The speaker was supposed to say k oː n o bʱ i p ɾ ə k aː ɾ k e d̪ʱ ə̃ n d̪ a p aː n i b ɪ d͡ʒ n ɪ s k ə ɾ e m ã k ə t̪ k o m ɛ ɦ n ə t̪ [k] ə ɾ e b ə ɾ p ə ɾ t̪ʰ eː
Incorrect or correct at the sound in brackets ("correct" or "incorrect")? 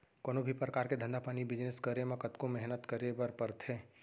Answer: correct